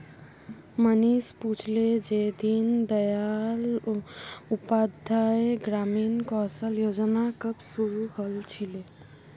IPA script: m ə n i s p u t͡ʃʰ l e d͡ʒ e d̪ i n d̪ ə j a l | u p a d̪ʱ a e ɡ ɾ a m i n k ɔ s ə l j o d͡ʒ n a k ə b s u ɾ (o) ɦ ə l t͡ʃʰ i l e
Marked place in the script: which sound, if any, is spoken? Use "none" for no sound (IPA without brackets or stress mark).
u